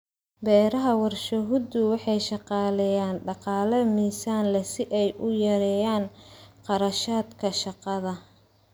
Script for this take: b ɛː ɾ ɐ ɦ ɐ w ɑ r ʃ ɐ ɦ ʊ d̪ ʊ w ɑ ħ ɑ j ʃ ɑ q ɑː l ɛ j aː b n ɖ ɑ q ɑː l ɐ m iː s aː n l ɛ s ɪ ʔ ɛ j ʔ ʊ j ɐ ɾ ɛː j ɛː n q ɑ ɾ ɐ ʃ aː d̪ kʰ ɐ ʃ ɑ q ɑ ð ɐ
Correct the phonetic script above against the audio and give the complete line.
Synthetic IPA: b ɛː ɾ ɐ ɦ ɐ w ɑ r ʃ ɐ ɦ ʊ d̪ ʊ w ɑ ħ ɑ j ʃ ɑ q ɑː l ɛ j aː n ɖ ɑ q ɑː l ɐ m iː s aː n l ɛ s ɪ ʔ ɛ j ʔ ʊ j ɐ ɾ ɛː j aː n q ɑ ɾ ɐ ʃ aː d̪ kʰ ɐ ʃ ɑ q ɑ ð ɐ